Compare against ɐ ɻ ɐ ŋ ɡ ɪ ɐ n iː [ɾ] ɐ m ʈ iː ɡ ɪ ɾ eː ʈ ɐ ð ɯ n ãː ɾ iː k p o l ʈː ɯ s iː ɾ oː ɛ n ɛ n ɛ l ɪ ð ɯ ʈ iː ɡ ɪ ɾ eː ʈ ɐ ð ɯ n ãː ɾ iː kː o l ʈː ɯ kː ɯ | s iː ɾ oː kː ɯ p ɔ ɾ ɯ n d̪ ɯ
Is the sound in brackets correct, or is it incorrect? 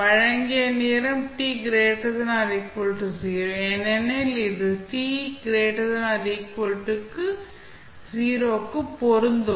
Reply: correct